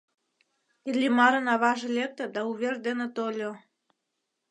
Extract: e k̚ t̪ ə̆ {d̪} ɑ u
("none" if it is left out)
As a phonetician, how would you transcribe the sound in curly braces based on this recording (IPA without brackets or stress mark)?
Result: d̪